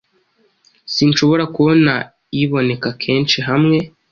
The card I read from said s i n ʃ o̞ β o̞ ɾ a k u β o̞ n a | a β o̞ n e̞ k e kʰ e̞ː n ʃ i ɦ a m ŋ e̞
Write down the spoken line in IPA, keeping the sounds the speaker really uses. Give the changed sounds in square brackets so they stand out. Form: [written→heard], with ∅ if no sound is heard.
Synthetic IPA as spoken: s i n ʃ o̞ β o̞ ɾ a k u β o̞ n a | [a→i] β o̞ n e̞ k [e→a] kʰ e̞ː n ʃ i ɦ a m ŋ e̞